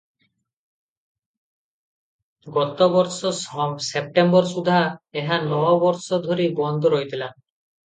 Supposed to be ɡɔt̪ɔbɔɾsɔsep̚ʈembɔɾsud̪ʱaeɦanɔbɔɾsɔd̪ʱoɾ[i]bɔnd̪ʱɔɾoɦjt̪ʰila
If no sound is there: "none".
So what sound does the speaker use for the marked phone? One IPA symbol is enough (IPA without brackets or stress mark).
i